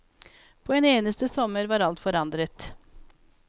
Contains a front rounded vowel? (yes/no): no